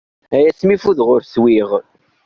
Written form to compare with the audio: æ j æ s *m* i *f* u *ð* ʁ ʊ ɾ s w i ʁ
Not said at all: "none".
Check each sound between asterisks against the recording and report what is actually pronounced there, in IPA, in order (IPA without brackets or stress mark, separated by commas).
m, f, ð